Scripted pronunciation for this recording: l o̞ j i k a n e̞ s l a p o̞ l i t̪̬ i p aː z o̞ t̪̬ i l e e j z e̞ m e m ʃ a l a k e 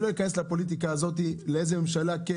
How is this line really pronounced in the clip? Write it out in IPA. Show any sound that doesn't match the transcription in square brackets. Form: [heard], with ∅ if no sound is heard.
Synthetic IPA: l o̞ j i k a n e̞ s l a p o̞ l i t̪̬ i [k] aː z o̞ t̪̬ i l e e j z e̞ m e m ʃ a l a k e